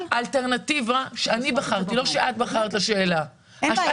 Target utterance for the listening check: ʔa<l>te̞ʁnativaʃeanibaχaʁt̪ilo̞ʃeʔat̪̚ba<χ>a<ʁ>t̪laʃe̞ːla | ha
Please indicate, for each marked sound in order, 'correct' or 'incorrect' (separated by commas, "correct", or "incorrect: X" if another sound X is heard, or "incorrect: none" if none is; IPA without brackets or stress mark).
correct, correct, correct